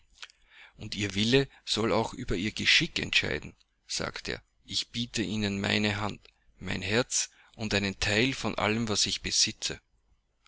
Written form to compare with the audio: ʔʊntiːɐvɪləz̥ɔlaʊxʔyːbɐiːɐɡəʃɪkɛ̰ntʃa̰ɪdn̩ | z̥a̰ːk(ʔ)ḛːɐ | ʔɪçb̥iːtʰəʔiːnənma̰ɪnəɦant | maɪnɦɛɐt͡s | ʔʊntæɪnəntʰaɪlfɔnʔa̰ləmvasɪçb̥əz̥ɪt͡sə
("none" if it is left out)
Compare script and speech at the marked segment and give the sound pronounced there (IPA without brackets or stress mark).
t